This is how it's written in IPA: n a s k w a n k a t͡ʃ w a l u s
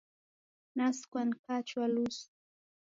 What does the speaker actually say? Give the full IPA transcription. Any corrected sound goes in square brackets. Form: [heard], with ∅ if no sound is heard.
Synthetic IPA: n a s k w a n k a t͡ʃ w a l u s